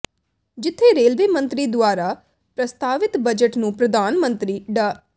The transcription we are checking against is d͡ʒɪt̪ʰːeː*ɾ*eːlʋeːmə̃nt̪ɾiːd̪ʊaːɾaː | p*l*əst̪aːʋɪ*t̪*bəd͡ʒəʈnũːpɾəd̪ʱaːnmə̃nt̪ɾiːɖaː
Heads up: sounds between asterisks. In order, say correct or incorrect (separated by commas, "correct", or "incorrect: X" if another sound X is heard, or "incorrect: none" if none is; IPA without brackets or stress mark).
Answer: correct, incorrect: ɾ, correct